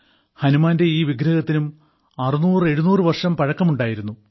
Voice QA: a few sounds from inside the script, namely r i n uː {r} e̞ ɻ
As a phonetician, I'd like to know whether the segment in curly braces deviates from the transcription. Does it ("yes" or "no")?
no